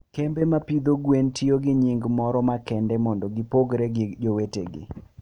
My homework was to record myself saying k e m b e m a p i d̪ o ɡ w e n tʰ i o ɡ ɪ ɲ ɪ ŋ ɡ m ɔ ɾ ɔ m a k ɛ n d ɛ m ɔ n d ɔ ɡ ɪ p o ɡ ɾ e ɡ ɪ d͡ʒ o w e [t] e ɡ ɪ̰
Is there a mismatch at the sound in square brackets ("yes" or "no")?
no